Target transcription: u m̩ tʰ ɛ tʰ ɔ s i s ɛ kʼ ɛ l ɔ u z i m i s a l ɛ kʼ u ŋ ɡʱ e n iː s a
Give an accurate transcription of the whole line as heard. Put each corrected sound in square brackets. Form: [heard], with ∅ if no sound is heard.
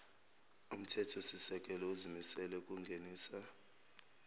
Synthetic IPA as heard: u m̩ tʰ ɛ tʰ ɔ s i s ɛ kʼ ɛ l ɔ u z i m i s [ɛ] l ɛ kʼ u ŋ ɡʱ e n iː s a

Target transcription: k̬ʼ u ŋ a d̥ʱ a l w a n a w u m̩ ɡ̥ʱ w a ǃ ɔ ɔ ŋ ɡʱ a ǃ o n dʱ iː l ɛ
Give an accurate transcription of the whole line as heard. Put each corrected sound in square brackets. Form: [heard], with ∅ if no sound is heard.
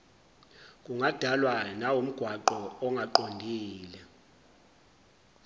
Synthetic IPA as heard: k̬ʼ u ŋ a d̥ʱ a l w a n a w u m̩ ɡ̥ʱ w a ǃ ɔ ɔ ŋ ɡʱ a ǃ o n dʱ iː l ɛ

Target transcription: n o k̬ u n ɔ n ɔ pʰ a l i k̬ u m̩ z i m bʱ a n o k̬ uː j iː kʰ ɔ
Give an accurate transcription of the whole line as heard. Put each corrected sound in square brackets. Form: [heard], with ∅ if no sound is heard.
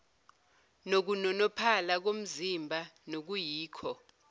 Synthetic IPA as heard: n o k̬ u n ɔ n ɔ pʰ a l [a] k̬ [o] m̩ z i m bʱ a n o k̬ [u] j iː kʰ ɔ

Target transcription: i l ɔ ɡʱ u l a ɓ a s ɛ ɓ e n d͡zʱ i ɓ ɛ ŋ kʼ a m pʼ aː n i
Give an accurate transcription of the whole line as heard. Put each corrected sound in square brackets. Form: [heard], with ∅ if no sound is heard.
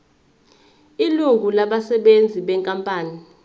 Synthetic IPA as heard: i l [u] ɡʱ u l a ɓ a s ɛ ɓ e n d͡zʱ i ɓ ɛ ŋ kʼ a m pʼ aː n i

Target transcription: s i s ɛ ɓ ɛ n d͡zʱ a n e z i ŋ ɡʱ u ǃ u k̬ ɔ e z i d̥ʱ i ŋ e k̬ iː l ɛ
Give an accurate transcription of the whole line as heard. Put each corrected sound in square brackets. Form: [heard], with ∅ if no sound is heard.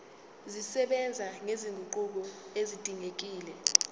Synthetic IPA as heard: [z] i s ɛ ɓ ɛ n d͡zʱ a [ŋ] e z i ŋ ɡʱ u ǃ u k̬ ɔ e z i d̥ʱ i ŋ e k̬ iː l ɛ

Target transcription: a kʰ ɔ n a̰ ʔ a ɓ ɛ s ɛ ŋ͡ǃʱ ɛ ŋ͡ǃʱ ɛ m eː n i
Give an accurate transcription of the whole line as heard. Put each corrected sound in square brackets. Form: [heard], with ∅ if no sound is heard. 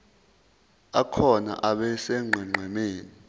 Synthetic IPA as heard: a kʰ ɔ n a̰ ʔ a ɓ ɛ s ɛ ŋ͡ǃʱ ɛ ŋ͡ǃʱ ɛ m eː n i

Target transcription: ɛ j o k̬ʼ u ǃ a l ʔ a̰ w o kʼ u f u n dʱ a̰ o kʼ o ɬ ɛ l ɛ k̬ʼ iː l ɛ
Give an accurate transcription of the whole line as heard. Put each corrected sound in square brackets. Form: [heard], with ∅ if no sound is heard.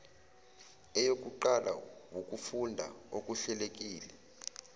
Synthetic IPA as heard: ɛ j o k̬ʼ u ǃ a l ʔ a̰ w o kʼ u f u n dʱ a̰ o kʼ [u] ɬ ɛ l [e] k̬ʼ iː l ɛ

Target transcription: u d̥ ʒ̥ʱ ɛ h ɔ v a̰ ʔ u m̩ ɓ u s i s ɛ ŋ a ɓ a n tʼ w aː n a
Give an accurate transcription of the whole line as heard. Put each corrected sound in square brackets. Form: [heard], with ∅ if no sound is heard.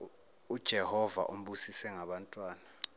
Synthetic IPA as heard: u d̥ ʒ̥ʱ ɛ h ɔ v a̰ ʔ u m̩ ɓ u s i s ɛ ŋ a ɓ a n tʼ w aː n a

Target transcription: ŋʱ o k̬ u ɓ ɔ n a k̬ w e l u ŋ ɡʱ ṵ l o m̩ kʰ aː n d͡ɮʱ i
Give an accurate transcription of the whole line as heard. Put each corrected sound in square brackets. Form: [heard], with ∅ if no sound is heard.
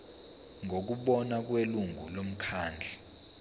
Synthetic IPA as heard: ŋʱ o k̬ u ɓ ɔ n a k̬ w e l u ŋ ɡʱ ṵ l o m̩ kʰ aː n d͡ɮʱ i

